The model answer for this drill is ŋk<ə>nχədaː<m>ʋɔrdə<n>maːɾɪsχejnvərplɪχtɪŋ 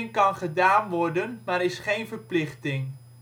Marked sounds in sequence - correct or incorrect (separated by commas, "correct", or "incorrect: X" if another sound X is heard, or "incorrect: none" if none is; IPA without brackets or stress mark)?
incorrect: ɑ, incorrect: n, correct